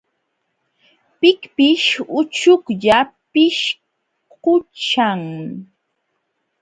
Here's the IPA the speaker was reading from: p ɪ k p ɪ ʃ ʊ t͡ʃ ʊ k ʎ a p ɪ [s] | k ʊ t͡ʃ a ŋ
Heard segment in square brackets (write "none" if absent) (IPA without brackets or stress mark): ʃ